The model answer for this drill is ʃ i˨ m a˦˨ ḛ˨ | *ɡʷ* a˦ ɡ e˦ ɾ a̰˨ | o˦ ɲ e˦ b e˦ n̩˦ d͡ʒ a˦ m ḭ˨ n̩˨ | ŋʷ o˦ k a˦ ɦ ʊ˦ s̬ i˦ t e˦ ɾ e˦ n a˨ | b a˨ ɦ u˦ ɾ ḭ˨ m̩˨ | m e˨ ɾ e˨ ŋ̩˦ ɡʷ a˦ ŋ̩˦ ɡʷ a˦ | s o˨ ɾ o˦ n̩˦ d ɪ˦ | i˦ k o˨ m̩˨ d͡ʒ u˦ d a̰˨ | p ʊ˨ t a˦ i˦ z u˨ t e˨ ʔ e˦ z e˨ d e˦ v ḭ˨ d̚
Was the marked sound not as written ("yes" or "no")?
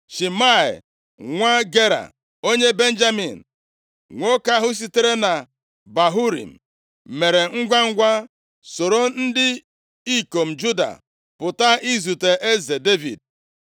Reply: yes